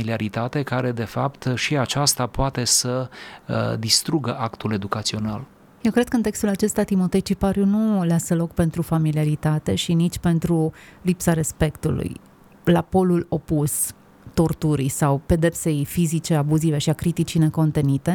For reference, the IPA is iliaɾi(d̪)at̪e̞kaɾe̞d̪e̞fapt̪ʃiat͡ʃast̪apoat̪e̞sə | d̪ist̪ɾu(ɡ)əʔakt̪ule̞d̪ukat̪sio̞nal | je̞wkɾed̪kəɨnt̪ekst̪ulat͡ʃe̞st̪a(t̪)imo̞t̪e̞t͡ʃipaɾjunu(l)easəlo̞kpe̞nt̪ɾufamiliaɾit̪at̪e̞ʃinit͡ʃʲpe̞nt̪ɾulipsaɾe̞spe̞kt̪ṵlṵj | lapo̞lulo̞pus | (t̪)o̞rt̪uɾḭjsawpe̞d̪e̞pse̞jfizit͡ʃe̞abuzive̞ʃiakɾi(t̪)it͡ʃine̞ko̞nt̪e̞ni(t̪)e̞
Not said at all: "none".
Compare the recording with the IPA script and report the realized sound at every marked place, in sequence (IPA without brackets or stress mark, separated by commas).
t̪, ɡ, t̪, l, t̪, t̪, t̪